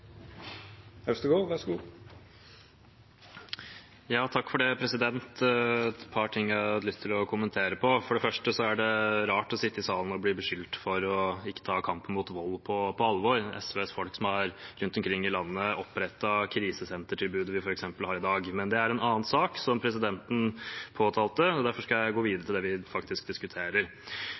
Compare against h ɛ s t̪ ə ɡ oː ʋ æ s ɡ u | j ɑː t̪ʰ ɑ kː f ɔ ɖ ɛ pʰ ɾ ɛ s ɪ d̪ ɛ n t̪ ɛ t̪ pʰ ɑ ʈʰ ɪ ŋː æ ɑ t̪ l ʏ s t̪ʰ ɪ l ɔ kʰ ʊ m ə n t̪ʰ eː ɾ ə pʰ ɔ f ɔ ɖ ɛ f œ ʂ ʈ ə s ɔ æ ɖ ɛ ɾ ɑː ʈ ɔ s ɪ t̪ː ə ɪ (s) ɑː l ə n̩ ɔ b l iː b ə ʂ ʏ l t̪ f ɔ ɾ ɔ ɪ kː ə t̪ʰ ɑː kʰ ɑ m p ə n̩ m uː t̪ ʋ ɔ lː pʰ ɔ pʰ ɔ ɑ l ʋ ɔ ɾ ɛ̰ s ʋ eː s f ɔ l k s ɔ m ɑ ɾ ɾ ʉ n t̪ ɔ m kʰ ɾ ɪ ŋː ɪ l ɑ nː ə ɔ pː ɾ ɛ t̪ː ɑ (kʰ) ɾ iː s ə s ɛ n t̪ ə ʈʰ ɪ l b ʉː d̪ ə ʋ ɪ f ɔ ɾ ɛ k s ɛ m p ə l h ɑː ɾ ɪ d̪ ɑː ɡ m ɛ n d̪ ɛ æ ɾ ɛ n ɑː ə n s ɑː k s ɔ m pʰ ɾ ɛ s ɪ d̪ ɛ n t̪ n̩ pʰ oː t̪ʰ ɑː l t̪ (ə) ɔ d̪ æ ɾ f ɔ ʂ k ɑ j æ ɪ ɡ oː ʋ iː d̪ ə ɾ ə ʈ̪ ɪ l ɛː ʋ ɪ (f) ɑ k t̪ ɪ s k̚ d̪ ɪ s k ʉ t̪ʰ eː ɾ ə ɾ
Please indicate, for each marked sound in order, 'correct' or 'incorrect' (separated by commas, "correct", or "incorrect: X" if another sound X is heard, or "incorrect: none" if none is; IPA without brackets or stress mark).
correct, correct, correct, correct